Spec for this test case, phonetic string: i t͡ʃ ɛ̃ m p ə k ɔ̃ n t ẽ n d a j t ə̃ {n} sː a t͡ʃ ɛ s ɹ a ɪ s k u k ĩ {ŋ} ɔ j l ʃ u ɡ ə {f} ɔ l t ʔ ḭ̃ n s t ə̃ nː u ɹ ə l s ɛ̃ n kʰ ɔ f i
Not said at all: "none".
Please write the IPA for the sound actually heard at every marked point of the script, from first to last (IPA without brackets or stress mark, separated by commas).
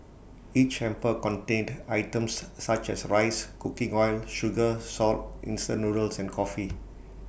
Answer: m, ŋ, s